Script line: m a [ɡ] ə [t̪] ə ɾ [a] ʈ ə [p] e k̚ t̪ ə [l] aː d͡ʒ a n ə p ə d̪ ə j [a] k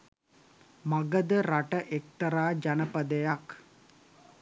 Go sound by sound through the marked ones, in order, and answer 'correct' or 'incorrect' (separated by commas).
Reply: correct, incorrect, correct, incorrect, incorrect, correct